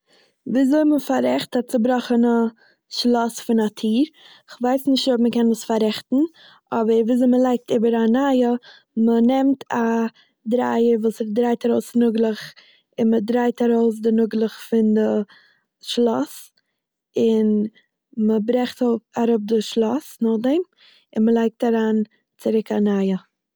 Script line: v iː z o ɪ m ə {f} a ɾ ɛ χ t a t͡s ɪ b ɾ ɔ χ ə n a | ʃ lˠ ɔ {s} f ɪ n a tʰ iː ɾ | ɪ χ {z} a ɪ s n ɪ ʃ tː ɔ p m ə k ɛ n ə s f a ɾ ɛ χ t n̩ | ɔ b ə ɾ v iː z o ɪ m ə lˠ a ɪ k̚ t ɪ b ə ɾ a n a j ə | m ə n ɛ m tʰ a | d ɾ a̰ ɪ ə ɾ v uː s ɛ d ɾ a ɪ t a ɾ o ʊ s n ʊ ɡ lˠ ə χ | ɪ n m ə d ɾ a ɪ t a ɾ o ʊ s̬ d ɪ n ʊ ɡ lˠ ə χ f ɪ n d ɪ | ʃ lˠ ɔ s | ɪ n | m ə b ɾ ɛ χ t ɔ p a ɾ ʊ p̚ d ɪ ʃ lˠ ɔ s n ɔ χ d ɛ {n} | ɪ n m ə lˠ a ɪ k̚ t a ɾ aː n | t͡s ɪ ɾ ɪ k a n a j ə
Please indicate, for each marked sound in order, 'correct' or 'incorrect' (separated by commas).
correct, correct, incorrect, incorrect